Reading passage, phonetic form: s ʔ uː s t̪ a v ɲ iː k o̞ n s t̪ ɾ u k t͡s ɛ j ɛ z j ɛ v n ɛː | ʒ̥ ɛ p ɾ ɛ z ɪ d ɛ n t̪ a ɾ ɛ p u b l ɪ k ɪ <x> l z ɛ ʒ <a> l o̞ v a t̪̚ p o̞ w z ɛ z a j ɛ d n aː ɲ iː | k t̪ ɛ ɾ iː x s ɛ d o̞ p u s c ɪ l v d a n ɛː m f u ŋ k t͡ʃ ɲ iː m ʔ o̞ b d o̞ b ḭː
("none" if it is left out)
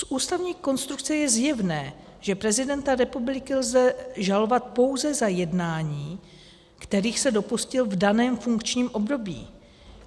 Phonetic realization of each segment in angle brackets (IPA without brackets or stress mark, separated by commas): none, a